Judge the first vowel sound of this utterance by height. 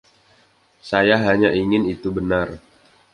low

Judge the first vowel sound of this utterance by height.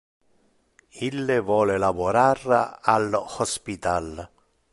high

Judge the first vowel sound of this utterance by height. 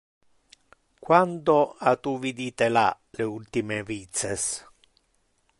low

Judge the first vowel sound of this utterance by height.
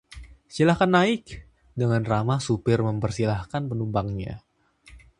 high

